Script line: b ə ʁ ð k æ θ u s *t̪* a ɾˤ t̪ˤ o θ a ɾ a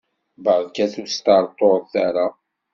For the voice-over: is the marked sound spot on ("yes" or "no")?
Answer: yes